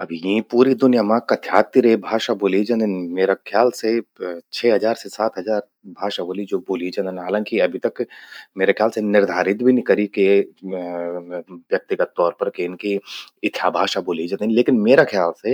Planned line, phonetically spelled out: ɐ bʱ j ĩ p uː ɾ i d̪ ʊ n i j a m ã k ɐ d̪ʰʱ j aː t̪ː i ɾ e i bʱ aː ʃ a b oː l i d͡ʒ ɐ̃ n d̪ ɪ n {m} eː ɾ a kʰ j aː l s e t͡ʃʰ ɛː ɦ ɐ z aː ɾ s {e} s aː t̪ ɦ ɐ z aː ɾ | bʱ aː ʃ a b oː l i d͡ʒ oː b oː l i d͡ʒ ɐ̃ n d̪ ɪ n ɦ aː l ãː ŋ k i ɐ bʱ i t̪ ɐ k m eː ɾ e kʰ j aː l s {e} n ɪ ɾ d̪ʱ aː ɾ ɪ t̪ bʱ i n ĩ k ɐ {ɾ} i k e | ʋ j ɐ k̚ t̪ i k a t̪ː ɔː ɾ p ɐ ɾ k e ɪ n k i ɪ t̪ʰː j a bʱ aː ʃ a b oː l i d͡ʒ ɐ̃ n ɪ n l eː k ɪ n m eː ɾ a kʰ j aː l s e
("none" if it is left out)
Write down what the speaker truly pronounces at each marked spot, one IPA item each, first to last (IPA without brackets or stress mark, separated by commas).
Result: m, e, e, ɾ